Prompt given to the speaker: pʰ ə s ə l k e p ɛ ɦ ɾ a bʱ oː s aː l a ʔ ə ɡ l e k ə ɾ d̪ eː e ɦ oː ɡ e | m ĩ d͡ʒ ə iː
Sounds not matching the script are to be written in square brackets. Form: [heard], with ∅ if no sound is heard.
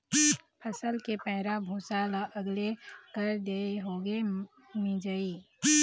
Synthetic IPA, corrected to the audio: pʰ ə s ə l k e p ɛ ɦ ɾ a bʱ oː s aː l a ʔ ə ɡ l e k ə ɾ d̪ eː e ɦ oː ɡ e | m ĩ d͡ʒ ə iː